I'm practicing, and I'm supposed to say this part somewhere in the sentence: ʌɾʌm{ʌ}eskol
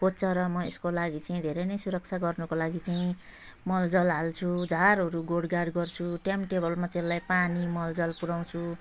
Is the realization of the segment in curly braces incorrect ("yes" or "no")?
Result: no